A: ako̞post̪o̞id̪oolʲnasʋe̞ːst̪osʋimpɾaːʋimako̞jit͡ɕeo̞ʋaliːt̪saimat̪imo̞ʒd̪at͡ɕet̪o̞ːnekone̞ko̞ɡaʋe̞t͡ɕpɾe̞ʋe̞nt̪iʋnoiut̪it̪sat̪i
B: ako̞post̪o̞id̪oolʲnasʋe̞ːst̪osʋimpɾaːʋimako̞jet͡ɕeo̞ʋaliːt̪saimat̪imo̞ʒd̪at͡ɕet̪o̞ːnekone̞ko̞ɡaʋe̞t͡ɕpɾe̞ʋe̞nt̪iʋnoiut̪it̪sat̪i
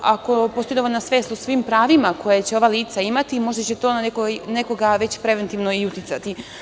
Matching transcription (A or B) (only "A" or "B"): B